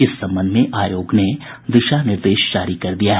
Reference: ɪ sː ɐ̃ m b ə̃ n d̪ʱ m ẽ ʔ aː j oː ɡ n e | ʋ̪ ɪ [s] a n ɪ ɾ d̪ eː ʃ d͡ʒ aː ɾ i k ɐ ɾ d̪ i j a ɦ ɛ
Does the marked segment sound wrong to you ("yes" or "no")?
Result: yes